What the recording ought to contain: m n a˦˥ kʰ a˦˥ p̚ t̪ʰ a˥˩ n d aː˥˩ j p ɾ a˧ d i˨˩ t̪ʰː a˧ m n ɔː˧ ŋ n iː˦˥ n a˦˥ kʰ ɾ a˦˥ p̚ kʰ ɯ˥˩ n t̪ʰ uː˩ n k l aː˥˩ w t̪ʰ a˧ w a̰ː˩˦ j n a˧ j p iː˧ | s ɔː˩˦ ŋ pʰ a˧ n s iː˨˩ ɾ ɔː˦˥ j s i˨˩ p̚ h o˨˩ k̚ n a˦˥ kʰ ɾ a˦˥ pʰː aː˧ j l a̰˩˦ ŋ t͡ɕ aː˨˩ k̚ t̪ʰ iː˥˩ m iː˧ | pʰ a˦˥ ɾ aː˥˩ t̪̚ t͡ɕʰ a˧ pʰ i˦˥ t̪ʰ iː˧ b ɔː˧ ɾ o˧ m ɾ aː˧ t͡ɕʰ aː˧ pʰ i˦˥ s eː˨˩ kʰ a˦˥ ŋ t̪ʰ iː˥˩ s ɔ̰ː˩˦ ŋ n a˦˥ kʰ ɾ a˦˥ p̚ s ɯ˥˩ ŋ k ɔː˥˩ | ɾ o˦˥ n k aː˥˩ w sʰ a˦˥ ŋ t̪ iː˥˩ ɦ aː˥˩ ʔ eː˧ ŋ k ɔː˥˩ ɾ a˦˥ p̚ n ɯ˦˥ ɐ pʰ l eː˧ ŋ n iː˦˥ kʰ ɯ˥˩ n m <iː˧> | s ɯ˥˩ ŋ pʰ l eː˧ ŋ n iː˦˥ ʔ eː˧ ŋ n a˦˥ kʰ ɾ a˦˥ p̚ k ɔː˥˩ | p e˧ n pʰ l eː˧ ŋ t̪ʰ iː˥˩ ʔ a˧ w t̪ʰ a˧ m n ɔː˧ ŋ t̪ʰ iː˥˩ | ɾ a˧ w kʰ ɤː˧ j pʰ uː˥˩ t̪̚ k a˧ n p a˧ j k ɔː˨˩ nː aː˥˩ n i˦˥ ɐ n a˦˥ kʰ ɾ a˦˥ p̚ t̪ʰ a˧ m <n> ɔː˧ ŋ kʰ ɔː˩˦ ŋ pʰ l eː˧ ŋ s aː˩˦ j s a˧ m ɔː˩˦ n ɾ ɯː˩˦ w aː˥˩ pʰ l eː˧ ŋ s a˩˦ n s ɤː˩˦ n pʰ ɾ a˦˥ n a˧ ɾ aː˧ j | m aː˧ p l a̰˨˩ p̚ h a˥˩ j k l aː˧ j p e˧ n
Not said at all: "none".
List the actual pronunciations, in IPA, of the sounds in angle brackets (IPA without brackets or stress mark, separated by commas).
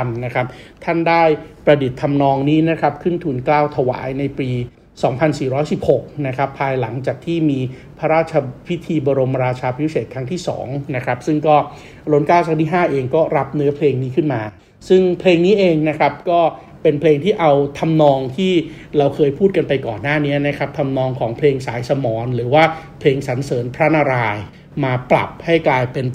aː˧, n